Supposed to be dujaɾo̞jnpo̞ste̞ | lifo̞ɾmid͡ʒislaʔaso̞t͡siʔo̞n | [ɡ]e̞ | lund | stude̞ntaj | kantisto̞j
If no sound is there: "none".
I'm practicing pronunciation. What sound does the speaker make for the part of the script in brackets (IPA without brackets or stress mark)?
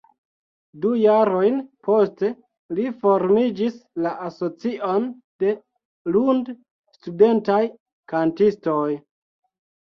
d